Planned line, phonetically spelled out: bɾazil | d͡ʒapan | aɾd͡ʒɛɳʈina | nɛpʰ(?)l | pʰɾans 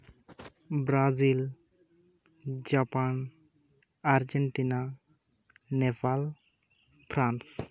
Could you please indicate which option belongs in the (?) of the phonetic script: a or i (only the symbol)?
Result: a